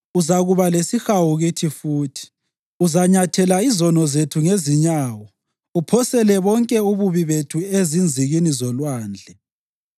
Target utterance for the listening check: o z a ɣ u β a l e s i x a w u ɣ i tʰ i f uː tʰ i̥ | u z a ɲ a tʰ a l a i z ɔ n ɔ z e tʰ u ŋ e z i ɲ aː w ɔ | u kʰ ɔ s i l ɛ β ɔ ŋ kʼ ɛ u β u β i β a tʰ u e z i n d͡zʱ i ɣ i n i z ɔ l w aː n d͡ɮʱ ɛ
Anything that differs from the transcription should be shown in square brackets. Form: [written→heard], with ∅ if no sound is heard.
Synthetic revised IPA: [o→u] z a ɣ u β a l e s i x a w u ɣ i tʰ i f uː tʰ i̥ | u z a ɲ a tʰ [a→ɛ] l a i z ɔ n ɔ z e tʰ u ŋ e z i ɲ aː w ɔ | u [kʰ→pʰ] ɔ s [i→ɛ] l ɛ β ɔ ŋ kʼ ɛ u β u β i β [a→e] tʰ u e z i n d͡zʱ i ɣ i n i z ɔ l w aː n d͡ɮʱ ɛ